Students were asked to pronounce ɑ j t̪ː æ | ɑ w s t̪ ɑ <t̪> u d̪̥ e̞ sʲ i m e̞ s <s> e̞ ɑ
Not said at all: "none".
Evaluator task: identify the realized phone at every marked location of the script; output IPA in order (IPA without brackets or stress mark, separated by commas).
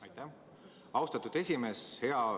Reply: t̪, h